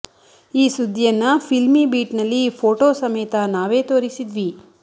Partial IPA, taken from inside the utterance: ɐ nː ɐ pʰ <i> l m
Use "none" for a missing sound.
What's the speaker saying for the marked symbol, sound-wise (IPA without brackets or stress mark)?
i